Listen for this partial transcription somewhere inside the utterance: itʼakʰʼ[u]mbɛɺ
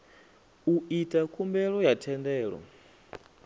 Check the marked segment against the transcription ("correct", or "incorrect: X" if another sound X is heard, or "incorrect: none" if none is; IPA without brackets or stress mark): correct